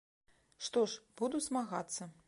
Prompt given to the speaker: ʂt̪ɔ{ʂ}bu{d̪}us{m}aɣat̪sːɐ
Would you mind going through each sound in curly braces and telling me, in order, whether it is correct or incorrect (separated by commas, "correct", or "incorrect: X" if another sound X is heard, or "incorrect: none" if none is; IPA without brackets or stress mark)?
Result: correct, correct, correct